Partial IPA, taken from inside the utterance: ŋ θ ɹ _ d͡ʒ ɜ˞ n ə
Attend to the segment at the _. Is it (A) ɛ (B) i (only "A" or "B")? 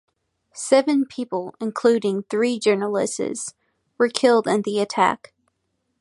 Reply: B